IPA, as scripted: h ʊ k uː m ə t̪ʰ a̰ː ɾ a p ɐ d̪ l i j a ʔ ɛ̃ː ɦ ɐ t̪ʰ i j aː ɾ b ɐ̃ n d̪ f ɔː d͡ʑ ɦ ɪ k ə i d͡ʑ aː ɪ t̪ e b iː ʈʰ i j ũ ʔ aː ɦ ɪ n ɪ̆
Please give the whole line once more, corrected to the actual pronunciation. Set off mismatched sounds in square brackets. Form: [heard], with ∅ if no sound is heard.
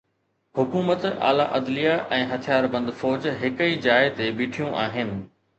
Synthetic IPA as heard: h ʊ k uː m ə [t̪] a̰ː [l] a [ʔ] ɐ d̪ l i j a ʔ ɛ̃ː ɦ ɐ t̪ʰ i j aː ɾ b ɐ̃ n d̪ f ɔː d͡ʑ ɦ ɪ k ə i d͡ʑ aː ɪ t̪ e b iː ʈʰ i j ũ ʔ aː ɦ ɪ n ɪ̆